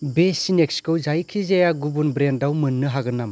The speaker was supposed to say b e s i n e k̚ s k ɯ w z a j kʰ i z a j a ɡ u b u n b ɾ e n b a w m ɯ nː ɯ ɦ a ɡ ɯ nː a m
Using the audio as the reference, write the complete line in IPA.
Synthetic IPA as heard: b e s i n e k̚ s k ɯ w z a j kʰ i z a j a ɡ u b u n b ɾ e n d a w m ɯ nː ɯ ɦ a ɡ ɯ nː a m